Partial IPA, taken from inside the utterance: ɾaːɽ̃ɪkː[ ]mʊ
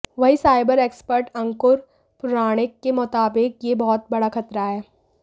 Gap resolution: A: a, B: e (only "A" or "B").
B